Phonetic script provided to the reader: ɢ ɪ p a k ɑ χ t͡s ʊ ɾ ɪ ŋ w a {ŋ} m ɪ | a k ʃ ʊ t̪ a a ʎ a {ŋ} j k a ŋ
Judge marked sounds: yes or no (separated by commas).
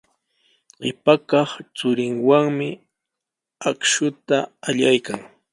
yes, no